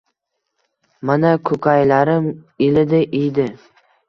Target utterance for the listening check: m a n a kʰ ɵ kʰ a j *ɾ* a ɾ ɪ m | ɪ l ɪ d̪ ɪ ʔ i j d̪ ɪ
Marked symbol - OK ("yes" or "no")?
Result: no